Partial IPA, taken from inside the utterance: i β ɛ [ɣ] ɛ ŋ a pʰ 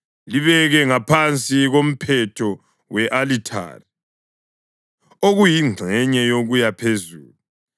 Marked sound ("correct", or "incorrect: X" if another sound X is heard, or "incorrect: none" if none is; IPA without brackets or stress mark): correct